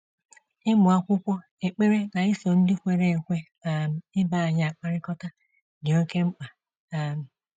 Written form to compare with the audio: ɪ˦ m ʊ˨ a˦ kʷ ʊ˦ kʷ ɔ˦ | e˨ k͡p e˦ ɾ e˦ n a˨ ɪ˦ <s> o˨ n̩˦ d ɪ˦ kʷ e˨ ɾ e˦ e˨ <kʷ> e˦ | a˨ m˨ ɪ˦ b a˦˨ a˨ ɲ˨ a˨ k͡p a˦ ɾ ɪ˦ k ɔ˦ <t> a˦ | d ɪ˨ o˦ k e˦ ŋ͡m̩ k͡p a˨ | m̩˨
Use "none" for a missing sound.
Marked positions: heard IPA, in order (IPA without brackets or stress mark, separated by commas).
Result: s, kʷ, t